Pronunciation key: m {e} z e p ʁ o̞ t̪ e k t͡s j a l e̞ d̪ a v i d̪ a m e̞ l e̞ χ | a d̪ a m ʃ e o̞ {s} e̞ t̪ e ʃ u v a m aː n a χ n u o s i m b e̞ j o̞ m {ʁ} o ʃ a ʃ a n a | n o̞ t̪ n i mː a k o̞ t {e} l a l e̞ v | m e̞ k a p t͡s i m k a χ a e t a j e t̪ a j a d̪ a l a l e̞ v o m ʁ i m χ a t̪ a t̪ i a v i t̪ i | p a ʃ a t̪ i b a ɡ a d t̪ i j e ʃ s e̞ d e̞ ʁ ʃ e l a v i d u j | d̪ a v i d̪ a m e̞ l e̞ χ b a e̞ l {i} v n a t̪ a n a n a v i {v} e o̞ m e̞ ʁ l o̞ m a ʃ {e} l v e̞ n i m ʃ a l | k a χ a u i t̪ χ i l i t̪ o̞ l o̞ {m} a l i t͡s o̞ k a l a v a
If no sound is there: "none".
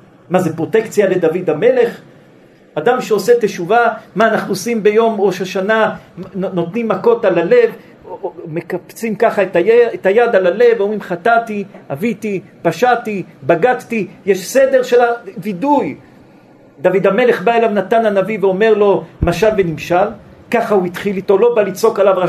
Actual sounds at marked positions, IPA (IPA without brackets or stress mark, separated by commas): a, s, ʁ, a, a, v, a, b